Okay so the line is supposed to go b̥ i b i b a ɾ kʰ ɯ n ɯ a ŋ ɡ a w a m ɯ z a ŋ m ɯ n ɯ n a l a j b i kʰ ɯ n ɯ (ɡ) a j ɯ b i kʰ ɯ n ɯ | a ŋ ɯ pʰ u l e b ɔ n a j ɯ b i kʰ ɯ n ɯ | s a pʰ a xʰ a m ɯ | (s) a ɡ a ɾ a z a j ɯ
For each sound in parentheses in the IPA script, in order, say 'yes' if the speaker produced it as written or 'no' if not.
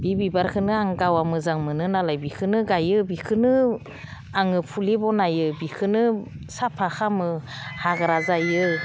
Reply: yes, no

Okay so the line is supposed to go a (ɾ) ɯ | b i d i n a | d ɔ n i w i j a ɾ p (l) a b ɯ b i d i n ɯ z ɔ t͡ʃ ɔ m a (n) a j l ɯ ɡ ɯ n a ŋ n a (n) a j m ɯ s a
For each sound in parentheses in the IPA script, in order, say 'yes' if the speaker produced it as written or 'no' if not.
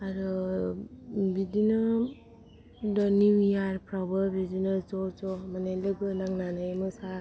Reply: yes, no, yes, yes

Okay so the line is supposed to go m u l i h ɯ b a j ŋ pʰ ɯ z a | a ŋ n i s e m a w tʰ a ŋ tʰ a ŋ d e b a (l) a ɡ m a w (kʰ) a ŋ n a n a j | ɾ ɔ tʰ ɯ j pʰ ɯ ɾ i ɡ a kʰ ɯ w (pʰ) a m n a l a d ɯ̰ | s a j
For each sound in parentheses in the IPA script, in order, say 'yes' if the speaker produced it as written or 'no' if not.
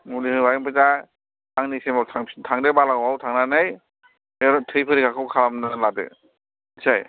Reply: yes, no, no

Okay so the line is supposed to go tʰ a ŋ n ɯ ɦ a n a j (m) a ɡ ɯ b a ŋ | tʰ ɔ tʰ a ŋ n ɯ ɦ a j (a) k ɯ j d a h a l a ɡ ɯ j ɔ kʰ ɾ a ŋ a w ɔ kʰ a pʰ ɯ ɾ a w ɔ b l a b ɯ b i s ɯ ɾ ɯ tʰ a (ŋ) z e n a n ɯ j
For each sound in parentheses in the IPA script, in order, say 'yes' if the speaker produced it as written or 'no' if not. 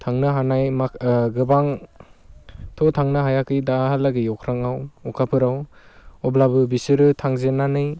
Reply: yes, yes, yes

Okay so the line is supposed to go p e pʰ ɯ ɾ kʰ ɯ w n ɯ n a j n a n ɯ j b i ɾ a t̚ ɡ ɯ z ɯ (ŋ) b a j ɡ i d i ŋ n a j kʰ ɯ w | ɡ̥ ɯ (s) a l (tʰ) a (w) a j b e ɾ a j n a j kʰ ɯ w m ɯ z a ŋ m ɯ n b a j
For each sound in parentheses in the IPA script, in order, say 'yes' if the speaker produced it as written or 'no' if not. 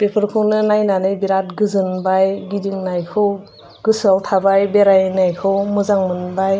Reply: no, yes, yes, no

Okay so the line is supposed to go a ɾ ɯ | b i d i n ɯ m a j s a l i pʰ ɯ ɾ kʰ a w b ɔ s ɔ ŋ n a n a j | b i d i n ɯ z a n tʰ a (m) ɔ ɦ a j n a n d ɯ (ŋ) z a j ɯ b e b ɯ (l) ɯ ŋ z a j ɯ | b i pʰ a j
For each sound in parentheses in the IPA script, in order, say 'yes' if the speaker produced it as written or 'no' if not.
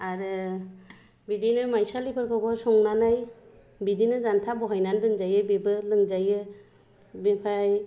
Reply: no, yes, yes

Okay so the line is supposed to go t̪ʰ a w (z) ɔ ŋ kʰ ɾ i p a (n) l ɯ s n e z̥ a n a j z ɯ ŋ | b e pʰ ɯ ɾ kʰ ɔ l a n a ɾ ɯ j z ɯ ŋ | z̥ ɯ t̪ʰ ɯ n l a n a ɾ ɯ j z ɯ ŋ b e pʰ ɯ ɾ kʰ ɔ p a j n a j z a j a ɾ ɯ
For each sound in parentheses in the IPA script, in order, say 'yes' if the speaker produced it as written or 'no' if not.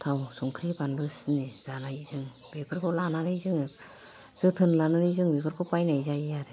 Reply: no, yes

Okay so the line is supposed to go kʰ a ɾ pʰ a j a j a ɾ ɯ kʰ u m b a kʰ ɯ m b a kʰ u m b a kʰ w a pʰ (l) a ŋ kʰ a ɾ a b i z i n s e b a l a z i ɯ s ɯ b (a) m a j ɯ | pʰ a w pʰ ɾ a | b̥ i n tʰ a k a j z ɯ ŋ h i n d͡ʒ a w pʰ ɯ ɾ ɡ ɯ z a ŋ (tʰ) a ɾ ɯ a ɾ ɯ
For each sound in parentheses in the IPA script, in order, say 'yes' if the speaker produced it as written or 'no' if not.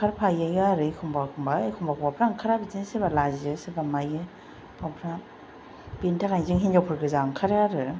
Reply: no, yes, no

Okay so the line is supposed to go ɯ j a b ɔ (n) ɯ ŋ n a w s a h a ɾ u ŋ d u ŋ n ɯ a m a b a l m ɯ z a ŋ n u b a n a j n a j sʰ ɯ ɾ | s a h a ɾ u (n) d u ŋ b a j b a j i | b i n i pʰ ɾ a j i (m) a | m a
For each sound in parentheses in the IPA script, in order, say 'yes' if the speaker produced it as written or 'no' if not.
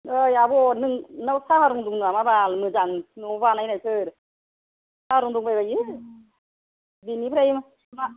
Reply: yes, no, yes

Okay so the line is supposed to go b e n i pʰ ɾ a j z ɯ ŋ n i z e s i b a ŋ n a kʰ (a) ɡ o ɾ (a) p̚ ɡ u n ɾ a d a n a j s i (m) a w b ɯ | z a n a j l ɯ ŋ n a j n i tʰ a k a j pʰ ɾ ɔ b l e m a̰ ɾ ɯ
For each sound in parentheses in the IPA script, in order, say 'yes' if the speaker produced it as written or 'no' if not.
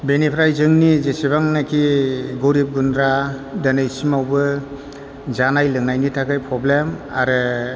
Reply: no, no, yes

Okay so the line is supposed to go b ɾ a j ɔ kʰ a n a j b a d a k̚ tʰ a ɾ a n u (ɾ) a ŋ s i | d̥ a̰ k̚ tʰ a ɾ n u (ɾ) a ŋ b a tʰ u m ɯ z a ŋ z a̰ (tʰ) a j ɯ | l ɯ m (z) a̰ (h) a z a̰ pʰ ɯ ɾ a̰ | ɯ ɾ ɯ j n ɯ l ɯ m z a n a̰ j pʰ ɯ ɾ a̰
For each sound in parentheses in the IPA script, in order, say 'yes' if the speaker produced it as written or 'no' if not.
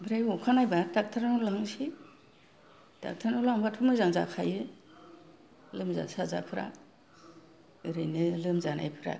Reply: no, no, no, yes, no

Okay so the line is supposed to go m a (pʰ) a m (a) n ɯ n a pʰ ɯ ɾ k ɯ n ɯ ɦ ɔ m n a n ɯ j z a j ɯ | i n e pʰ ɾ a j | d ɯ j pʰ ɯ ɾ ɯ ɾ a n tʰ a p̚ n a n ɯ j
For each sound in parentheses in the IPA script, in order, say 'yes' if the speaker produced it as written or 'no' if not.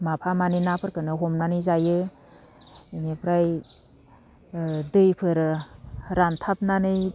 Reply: yes, yes

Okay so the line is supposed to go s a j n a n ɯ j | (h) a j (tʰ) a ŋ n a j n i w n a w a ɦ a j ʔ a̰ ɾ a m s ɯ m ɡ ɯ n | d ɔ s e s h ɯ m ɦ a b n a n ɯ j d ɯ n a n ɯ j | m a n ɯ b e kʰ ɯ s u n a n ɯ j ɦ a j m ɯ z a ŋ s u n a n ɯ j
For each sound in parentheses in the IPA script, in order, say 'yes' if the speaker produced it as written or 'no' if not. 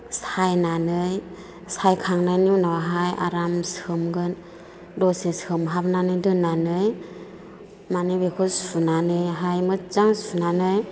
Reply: no, no

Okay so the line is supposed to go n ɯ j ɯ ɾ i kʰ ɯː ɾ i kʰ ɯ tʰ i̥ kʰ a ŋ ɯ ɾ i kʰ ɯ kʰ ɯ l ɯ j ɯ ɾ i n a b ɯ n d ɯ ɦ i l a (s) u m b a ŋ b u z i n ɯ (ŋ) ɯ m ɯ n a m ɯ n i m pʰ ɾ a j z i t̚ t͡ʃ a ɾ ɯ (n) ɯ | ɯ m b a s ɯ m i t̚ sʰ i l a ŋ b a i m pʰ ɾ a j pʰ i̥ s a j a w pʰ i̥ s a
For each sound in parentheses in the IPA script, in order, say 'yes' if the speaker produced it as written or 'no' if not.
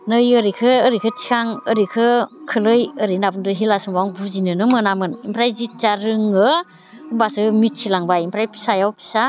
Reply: yes, no, no

